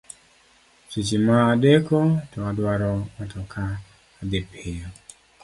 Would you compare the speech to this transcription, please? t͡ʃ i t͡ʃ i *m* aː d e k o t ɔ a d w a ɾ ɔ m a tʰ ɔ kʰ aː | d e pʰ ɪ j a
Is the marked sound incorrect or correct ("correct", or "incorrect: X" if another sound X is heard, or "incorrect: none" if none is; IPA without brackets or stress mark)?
correct